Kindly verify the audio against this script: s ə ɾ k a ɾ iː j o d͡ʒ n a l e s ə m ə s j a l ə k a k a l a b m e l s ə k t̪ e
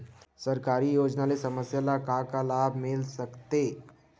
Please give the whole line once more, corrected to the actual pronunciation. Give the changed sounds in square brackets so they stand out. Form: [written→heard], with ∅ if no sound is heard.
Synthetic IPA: s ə ɾ k a ɾ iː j o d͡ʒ n a l e s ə m ə s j a l [ə→a] k a k a l a b m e l s ə k t̪ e